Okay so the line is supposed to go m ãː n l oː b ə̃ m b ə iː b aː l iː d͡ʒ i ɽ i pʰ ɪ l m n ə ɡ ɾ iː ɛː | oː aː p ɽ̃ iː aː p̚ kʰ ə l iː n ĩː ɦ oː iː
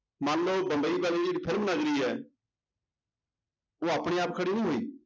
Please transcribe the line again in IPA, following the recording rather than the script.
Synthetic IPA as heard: m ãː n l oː b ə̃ m b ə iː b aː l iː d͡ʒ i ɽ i pʰ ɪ l m n ə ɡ ɾ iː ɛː | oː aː p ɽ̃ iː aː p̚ kʰ ə ɽ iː n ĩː ɦ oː iː